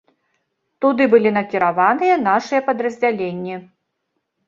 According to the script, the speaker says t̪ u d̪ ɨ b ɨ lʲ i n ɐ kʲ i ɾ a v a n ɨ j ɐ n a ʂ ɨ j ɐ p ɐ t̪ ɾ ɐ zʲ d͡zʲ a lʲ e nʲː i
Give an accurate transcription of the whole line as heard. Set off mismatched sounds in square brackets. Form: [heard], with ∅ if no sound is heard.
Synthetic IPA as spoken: t̪ u d̪ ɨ b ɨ lʲ i n ɐ kʲ i ɾ a v a n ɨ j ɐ n a ʂ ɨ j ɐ p ɐ [d̪] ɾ ɐ zʲ d͡zʲ a lʲ e nʲː i